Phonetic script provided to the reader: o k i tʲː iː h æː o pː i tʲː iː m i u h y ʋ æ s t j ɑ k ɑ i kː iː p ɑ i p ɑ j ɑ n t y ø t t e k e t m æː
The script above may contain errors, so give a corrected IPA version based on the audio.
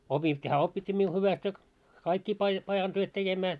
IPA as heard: o p i tʲː iː h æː o pː i tʲː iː m i u h y ʋ æ s t j ɑ k ɑ i kː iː p ɑ i p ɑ j ɑ n t y ø t t e k e m æː

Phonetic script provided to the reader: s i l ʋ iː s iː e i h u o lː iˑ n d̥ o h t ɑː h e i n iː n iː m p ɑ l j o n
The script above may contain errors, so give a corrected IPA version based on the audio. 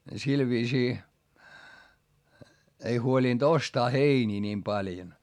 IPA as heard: s i l ʋ iː s iː e i h u o l iˑ n d̥ o s t ɑː h e i n iː n iː m p ɑ l j o n

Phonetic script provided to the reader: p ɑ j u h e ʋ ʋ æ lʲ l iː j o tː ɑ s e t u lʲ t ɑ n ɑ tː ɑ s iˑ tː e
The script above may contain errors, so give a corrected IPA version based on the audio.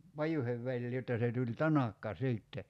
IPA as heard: p ɑ j u h e ʋ ʋ æ lʲ l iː j o tː ɑ s e t u lʲ t ɑ n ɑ kː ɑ s iˑ tː e

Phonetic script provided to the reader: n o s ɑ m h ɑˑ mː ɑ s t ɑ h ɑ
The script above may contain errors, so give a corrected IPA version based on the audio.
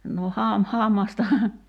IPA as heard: n o h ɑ m h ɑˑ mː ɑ s t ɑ h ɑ

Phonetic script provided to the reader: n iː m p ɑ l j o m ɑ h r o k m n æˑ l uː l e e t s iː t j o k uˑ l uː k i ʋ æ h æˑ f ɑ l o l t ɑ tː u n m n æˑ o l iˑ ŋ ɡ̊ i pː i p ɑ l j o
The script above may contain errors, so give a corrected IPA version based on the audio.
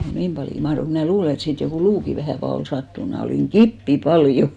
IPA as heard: n iː m p ɑ l j o m ɑ h r o k m n æˑ l uː l e e t s iː t j o k uˑ l uː k i ʋ æ h æˑ f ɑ l o l s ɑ tː u n m n æˑ o l iˑ ŋ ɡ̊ i pː i p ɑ l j o

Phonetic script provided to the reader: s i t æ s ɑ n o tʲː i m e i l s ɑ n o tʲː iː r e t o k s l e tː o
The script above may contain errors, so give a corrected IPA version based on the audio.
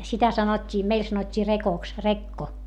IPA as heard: s i t æ s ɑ n o tʲː iː m e i l s ɑ n o tʲː iː r e k o k s r e kː o

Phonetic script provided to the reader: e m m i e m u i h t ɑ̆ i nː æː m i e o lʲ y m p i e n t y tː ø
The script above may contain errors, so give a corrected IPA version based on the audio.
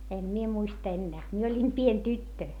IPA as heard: e m m i e m u i s t ɑ̆ e nː æː m i e o lʲ i m p i e n t y tː ø

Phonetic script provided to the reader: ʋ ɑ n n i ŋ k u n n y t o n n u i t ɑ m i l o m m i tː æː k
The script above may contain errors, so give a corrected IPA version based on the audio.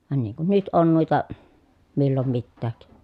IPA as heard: ʋ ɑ n n iː ŋ k u n n y t o n n u i t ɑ m i lː o m m i tː æː k

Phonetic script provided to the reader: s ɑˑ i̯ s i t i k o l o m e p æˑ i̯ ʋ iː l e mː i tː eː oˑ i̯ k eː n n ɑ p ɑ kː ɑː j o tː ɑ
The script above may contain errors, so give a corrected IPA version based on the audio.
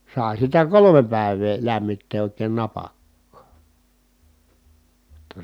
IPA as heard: s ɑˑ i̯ s i t æ k o l o m e p æˑ i̯ ʋ eː l æ mː i tː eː oˑ i̯ k eː n n ɑ p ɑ kː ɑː j o tː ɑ

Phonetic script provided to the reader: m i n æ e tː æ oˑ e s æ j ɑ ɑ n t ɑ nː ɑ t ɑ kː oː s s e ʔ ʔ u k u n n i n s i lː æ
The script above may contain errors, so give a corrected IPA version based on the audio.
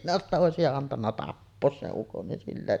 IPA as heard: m i n æ e tː æ oˑ e s i j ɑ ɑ n t ɑ nː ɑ t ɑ pː oː s s e ʔ ʔ u k o n n i n s i lː æ

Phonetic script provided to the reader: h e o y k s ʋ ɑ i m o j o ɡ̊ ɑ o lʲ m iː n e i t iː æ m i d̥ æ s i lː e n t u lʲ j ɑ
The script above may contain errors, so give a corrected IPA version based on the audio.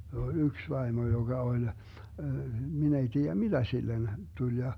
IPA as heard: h e o y k s ʋ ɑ i m o j o ɡ̊ ɑ o lʲ m i n e i t iː æ m i d̥ æ s i lː e n t u lʲ j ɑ

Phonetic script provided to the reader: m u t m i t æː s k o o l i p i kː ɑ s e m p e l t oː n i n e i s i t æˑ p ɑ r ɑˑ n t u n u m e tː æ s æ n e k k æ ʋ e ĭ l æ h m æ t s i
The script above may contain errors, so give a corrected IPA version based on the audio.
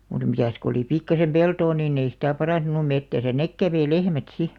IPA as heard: m u t m i t æ s k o o l i p i kː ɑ s e m p e l t oː n iː n e i s i t æˑ p ɑ r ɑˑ n t u n u m e tː æ s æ n e k k æ ʋ e ĭ l e h m æ t s i

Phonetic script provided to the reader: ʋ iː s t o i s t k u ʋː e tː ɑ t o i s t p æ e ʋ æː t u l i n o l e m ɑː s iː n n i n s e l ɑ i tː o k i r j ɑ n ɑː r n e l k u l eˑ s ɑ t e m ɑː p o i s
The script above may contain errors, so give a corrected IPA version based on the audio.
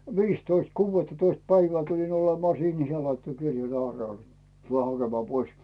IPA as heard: ʋ iː s t o i s t k uː ʋː e tː ɑ t o i s t p æ i ʋ æː t u l i n o l e m ɑː s iː n n i s e l ɑ i tː o k i r j ɑ n ɑː r n e l t u l eˑ h ɑ k e m ɑː p o i s

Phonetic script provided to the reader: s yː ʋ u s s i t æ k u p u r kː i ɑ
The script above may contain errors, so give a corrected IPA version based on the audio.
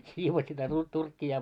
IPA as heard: s iː ʋ o s s i t æ t u t u r kː i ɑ

